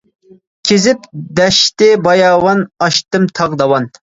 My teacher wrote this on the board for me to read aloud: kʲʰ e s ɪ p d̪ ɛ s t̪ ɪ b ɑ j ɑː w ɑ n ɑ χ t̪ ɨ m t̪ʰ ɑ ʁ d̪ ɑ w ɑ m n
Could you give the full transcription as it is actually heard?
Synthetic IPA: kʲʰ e z ɪ p d̪ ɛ ʃ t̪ ɪ b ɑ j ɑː w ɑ n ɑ ʃ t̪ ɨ m t̪ʰ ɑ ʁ d̪ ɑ w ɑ n